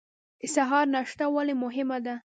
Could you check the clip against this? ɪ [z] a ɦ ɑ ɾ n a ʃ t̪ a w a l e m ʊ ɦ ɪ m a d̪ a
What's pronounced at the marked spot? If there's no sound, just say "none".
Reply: s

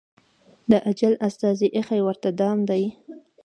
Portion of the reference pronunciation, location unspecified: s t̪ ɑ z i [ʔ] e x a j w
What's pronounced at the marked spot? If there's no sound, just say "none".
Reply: ʔ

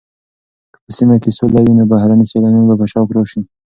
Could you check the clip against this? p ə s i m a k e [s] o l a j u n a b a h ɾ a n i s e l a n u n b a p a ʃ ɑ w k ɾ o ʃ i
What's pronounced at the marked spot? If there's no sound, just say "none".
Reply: s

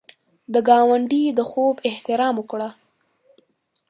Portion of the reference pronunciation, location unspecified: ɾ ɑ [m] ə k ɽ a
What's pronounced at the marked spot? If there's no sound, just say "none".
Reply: m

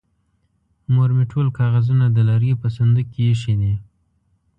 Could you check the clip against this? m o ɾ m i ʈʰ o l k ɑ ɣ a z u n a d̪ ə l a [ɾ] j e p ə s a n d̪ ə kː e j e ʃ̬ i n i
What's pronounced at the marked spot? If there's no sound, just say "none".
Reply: ɾ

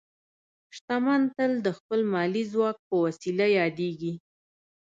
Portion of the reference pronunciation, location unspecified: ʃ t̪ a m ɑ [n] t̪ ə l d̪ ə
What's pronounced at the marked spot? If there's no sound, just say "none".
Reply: n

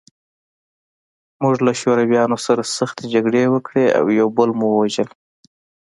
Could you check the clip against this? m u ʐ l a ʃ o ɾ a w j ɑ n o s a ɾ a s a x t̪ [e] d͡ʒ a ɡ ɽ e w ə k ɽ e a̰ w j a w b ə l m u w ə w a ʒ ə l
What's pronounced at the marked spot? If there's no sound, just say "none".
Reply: e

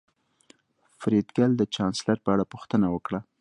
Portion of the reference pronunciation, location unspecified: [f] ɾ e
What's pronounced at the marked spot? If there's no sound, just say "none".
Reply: f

